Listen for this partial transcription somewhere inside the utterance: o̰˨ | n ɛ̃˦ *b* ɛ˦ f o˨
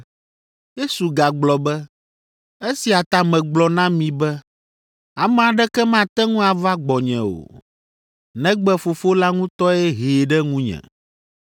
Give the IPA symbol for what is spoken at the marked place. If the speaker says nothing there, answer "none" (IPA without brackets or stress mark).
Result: ɡ͡b